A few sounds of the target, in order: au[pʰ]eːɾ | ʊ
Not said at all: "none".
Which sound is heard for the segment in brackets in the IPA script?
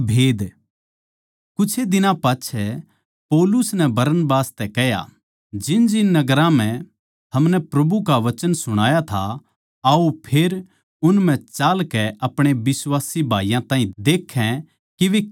pʰ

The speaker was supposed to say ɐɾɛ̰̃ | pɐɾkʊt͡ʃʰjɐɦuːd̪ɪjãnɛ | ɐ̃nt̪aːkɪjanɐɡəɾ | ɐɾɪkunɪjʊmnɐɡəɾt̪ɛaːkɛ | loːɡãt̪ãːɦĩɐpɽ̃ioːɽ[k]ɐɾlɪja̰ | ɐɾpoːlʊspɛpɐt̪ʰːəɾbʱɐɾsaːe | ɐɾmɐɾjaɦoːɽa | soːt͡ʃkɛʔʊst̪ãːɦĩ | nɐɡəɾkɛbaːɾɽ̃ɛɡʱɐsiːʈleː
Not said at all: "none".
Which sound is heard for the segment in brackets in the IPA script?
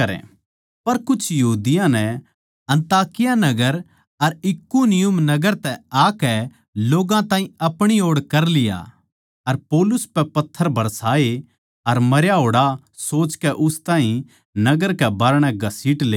k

